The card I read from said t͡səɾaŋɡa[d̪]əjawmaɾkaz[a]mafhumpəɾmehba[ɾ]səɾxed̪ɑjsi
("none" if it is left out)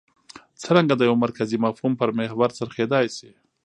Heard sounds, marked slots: d̪, i, ɾ

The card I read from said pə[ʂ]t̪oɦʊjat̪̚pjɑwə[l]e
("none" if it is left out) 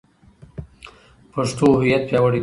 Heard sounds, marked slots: ʂ, ɽ

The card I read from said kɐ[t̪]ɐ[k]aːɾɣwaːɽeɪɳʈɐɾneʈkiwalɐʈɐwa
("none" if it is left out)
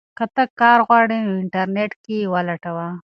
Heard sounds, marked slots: t̪, k

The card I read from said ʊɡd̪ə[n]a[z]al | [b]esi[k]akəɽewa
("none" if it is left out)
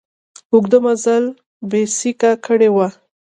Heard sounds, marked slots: m, z, b, k

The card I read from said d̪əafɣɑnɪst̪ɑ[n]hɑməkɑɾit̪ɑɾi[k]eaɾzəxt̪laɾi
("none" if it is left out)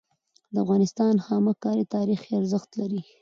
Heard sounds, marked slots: n, x

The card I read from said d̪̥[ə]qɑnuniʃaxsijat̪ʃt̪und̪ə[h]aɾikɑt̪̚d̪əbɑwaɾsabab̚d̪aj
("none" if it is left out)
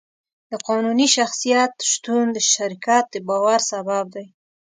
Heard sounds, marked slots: ə, ʃ

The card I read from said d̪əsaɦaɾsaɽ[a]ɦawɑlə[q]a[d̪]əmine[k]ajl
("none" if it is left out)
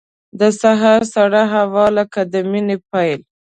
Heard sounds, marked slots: a, k, d̪, p

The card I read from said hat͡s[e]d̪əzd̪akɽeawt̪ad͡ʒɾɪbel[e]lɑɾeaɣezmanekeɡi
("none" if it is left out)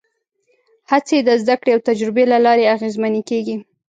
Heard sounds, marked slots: e, a

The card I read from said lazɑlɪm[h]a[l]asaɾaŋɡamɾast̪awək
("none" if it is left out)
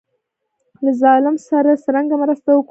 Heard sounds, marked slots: s, ɾ

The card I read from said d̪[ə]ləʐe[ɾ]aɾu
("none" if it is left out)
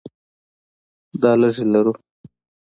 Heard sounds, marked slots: ɑ, l

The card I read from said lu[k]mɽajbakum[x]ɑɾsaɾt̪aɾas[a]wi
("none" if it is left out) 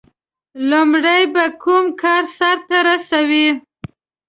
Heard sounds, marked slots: none, k, a

